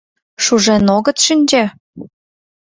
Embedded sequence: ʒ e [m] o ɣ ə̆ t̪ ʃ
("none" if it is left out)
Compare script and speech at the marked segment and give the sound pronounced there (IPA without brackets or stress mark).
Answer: n